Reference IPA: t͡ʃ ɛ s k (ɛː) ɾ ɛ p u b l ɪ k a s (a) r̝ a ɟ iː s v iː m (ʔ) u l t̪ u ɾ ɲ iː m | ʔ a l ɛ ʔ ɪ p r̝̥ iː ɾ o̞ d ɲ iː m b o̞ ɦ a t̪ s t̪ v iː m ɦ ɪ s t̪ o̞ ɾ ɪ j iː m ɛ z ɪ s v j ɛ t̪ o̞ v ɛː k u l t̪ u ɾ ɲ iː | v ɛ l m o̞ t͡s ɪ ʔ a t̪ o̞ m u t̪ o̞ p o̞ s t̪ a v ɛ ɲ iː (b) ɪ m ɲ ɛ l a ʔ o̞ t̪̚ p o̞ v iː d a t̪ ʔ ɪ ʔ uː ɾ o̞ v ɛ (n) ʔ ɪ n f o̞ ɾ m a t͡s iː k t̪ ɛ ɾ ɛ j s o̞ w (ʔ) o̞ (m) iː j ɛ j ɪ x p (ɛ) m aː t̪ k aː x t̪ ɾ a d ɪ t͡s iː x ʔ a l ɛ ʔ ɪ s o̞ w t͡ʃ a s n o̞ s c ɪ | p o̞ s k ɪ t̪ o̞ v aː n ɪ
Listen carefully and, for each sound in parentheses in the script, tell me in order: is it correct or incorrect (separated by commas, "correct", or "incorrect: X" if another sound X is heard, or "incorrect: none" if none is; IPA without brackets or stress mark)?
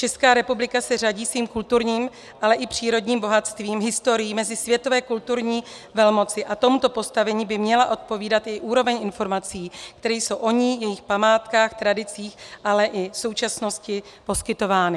incorrect: aː, incorrect: ɛ, incorrect: k, correct, incorrect: ɲ, correct, incorrect: ɲ, incorrect: a